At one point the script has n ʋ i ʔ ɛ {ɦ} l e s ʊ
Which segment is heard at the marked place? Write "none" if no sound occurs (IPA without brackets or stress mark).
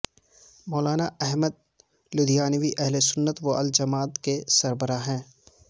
ɦ